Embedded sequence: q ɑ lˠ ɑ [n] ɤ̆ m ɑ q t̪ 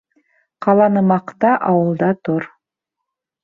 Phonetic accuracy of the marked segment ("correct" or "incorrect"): correct